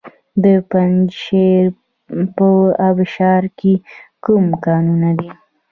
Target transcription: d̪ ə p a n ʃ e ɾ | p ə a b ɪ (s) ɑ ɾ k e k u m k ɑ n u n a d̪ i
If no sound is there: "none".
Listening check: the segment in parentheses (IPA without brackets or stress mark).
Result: ʃ